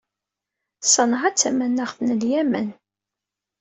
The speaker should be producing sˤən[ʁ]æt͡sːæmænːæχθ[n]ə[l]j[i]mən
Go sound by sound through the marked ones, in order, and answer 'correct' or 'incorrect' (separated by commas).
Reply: correct, correct, correct, incorrect